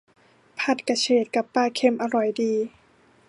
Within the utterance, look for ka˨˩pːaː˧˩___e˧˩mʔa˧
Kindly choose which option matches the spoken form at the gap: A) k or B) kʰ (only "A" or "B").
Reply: B